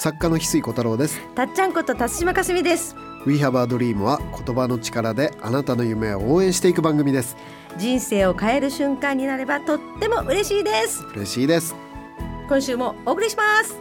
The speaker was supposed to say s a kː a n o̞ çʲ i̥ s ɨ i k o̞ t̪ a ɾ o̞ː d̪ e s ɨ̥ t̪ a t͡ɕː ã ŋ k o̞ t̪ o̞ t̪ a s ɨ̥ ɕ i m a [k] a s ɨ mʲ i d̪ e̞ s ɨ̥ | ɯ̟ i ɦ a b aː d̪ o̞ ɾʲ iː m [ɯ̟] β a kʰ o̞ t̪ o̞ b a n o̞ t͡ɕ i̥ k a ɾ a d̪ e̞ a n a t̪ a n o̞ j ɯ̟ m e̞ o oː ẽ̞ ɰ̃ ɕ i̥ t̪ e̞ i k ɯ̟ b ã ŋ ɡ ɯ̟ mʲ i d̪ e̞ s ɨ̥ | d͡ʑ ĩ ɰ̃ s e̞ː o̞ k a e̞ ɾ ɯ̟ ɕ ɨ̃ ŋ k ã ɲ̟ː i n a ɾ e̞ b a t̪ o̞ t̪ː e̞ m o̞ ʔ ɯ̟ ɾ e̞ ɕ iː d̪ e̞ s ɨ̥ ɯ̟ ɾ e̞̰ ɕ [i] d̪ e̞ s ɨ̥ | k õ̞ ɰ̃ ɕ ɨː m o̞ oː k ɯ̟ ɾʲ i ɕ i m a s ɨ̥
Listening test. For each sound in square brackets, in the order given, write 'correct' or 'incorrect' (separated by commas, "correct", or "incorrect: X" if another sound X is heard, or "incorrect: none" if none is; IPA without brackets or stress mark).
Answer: correct, correct, incorrect: iː